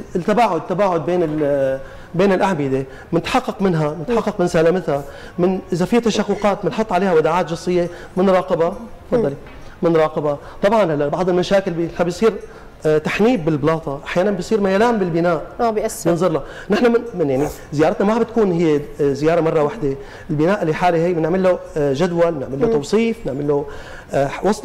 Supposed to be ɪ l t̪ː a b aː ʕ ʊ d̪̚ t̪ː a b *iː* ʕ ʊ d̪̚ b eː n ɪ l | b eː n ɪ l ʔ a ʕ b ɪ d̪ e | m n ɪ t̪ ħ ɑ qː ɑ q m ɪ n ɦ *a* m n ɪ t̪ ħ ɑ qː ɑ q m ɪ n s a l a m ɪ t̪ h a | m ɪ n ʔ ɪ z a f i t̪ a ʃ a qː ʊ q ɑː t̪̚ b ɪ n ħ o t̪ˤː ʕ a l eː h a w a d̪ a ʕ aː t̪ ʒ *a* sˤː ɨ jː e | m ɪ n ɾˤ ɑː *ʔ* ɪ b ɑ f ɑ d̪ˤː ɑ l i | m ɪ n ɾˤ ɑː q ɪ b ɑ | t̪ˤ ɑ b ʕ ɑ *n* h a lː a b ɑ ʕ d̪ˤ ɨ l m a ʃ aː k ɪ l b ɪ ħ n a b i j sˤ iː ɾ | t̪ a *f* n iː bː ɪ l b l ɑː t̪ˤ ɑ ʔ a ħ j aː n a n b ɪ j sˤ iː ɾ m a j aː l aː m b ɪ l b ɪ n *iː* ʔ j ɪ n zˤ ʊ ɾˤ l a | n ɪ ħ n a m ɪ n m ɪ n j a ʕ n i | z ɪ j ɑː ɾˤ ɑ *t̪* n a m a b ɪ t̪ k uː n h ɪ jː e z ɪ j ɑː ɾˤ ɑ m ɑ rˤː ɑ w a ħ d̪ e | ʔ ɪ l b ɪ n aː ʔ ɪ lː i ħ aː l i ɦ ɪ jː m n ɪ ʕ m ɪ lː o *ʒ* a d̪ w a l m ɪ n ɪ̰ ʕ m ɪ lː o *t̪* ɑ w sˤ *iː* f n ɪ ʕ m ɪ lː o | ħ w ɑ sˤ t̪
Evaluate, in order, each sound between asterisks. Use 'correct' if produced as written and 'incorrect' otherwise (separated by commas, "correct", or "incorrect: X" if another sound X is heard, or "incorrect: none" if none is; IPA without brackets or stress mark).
incorrect: aː, correct, incorrect: ɑ, incorrect: q, correct, incorrect: ħ, incorrect: aː, correct, correct, correct, correct